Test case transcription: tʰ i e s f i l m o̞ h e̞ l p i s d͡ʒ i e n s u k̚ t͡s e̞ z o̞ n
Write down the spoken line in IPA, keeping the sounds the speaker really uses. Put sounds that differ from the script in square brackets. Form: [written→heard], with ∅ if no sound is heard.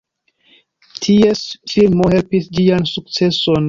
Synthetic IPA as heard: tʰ i e s f i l m o̞ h e̞ l p i s d͡ʒ i [e→a] n s u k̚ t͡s e̞ [z→s] o̞ n